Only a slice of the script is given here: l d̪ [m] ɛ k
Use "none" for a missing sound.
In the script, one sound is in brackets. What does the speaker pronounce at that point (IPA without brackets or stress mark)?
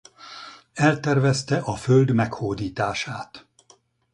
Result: m